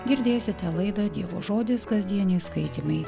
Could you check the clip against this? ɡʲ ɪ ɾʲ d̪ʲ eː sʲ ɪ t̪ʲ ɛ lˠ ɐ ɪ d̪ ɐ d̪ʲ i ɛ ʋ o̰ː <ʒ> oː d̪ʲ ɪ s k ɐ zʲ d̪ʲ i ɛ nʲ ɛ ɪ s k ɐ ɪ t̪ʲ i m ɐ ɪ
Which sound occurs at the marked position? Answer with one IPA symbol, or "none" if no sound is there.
ʒ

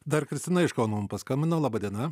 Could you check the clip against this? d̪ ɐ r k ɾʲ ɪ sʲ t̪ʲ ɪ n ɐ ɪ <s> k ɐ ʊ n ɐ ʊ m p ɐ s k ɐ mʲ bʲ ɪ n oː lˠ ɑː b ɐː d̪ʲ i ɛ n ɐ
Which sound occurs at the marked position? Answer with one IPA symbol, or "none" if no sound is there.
ʃ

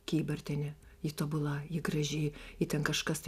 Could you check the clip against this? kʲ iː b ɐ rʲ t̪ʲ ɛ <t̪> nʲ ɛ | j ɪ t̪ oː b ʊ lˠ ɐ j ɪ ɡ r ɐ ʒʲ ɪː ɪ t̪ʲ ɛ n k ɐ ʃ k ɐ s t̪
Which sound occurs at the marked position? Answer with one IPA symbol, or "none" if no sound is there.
none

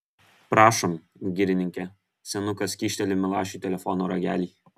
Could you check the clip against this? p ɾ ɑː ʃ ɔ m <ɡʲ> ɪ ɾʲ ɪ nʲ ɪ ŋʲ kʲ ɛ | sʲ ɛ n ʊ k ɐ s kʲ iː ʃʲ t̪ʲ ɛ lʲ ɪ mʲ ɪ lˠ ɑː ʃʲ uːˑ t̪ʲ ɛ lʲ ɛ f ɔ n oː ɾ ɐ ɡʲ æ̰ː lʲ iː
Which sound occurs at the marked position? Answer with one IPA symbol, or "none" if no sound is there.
ɡʲ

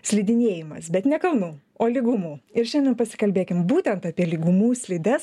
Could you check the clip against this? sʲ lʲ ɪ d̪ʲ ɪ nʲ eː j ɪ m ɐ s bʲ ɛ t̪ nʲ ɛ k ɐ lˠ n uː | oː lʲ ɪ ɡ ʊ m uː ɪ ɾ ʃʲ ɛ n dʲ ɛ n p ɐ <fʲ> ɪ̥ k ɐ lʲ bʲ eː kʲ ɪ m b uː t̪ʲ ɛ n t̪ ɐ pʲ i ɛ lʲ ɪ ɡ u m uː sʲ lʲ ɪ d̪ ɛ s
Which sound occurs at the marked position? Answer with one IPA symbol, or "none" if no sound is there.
sʲ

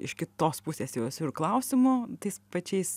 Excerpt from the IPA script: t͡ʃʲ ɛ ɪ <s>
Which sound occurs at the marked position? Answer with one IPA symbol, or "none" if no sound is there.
s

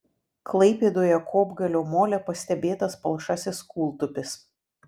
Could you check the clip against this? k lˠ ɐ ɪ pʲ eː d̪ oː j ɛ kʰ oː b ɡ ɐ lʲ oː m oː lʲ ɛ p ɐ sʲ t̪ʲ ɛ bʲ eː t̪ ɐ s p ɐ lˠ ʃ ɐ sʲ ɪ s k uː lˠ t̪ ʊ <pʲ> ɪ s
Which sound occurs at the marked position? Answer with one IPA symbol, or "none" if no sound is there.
pʲ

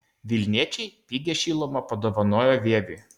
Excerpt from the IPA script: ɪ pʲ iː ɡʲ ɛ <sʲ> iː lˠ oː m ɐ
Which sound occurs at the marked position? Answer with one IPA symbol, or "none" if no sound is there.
ʃʲ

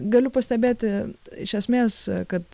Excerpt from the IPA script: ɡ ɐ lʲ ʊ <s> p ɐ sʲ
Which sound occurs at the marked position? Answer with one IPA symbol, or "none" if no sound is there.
none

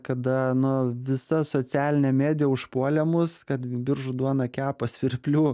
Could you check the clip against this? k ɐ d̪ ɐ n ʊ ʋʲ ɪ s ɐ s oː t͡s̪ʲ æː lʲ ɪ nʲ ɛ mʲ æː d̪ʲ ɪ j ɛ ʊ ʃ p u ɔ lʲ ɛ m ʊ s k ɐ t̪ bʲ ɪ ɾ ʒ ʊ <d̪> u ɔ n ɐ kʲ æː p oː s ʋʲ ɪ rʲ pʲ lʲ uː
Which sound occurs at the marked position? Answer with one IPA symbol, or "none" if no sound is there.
d̪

